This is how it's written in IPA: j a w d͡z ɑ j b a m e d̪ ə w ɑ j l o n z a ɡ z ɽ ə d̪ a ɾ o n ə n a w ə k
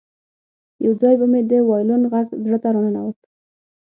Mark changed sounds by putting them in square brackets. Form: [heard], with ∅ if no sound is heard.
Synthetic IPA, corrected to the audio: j a w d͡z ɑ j b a m e d̪ ə w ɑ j l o n [ɣ] a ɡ z ɽ ə [t̪] a ɾ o n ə n a w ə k